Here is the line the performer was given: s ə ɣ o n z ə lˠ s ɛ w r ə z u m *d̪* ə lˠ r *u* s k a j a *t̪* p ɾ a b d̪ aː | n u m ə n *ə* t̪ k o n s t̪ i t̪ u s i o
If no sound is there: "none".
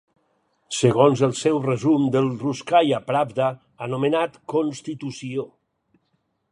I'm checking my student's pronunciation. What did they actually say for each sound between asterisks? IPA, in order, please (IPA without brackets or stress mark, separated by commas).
d̪, u, none, a